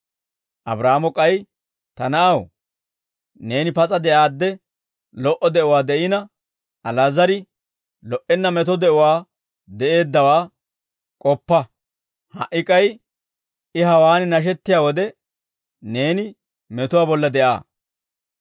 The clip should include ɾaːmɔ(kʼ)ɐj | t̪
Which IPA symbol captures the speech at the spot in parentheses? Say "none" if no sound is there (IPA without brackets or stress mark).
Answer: kʼ